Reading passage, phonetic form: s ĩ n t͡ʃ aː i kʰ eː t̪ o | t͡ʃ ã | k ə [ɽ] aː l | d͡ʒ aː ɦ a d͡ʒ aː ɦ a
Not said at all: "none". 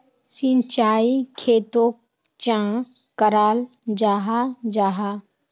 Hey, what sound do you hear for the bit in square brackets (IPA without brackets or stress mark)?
ɾ